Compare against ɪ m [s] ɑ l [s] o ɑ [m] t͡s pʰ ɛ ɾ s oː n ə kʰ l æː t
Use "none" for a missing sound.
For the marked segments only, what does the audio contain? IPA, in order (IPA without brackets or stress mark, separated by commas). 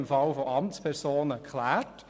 f, f, m